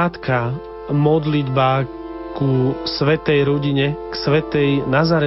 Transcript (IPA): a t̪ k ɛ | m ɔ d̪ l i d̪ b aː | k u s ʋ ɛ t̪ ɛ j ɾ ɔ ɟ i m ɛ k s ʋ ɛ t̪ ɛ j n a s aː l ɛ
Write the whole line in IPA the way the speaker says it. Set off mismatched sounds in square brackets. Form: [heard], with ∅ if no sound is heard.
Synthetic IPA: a t̪ k [a] | m ɔ d̪ l i d̪ b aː | k u s ʋ ɛ t̪ ɛ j ɾ ɔ ɟ i [ɲ] ɛ k s ʋ ɛ t̪ ɛ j n a [z] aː [ɾ] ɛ